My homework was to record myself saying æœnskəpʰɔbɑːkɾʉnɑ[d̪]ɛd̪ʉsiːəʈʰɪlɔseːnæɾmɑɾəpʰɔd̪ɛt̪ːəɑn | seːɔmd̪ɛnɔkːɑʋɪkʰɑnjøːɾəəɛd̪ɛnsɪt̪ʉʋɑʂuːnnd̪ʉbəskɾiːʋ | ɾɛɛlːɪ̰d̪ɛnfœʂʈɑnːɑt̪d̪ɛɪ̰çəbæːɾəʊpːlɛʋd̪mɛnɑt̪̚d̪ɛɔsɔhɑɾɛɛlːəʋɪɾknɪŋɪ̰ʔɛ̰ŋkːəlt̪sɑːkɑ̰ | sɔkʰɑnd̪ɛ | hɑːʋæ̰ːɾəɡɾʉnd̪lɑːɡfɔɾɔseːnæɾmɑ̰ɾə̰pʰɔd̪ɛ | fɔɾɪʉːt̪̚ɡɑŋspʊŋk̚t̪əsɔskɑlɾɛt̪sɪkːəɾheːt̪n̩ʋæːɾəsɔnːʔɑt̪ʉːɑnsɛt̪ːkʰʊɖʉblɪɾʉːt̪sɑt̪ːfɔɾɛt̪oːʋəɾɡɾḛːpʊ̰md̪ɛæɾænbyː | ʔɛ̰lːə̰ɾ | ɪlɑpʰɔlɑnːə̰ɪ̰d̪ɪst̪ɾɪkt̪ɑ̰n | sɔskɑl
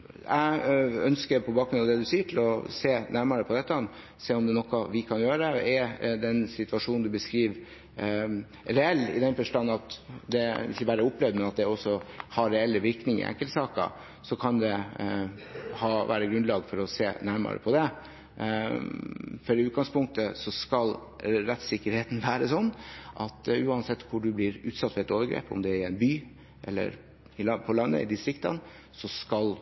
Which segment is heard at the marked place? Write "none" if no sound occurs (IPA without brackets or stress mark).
d̪